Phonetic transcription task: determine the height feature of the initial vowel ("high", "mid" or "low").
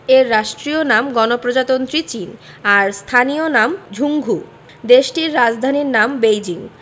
mid